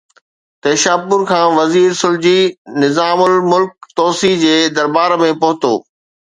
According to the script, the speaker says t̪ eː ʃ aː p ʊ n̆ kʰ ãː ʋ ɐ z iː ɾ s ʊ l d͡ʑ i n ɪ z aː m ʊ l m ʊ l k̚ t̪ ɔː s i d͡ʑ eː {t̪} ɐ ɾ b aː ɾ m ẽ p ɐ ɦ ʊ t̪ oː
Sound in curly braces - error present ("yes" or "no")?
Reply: yes